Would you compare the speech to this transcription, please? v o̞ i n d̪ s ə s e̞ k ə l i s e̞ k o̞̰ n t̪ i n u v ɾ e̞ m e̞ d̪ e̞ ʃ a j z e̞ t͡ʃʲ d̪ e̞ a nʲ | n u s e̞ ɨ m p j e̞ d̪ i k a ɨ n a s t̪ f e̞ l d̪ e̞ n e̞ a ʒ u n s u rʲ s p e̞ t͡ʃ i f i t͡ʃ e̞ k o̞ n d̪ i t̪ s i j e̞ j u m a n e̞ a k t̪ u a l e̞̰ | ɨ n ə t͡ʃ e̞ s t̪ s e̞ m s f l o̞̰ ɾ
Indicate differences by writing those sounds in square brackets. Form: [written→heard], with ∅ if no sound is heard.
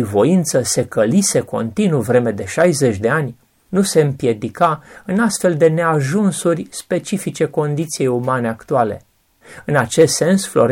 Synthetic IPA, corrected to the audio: v o̞ i n [d̪→t̪] s ə s e̞ k ə l i s e̞ k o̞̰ n t̪ i n u v ɾ e̞ m e̞ d̪ e̞ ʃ a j z e̞ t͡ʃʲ d̪ e̞ a nʲ | n u s e̞ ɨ m p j e̞ d̪ i k a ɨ n a s t̪ f e̞ l d̪ e̞ n e̞ a ʒ u n s u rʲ s p e̞ t͡ʃ i f i t͡ʃ e̞ k o̞ n d̪ i t̪ s i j e̞ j u m a n e̞ a k t̪ u a l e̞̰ | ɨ n [ə→a] t͡ʃ e̞ s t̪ s e̞ [m→n] s f l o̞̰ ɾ